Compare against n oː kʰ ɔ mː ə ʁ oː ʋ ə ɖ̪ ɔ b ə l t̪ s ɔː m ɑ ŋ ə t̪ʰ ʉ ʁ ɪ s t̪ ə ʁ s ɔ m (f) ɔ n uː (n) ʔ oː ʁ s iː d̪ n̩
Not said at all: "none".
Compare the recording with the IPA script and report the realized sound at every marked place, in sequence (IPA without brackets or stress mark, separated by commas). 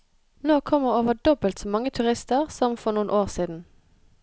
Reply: f, n